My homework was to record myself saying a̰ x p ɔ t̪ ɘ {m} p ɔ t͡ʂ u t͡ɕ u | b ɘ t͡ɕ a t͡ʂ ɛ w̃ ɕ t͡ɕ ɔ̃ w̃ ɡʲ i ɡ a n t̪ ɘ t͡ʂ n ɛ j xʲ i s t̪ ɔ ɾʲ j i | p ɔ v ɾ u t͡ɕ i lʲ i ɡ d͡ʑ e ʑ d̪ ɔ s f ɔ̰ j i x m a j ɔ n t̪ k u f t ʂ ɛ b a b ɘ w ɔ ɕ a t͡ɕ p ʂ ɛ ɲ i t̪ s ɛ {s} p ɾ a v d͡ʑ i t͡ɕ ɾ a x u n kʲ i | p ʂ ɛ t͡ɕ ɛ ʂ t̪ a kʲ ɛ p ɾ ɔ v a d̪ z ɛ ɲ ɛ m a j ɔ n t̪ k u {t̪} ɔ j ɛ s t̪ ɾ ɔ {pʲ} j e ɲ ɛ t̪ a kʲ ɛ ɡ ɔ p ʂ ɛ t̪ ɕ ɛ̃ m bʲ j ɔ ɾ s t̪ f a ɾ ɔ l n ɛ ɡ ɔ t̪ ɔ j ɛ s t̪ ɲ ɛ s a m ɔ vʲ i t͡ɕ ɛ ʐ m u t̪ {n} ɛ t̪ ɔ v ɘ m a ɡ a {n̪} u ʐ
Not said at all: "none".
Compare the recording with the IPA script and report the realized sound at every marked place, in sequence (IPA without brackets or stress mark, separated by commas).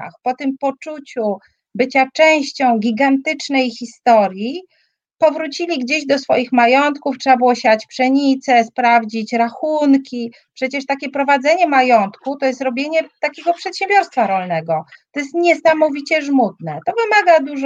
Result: m, s, t̪, bʲ, n, d̪